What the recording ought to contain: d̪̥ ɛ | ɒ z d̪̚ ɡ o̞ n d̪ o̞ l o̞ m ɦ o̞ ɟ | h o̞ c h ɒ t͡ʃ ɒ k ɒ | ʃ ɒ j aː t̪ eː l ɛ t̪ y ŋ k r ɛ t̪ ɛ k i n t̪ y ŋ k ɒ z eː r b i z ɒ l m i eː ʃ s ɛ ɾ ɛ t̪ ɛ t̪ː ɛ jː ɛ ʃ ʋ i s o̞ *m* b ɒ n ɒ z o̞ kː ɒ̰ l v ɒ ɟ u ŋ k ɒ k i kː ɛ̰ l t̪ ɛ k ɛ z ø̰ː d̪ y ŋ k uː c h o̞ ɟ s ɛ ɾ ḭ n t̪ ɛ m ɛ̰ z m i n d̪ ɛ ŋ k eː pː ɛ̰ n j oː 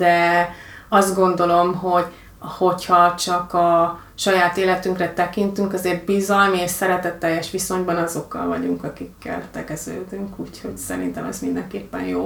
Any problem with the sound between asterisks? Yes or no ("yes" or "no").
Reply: yes